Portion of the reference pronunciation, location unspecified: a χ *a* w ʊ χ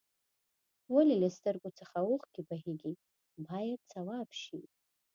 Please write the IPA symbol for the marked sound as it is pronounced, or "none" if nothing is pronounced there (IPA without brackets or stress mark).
a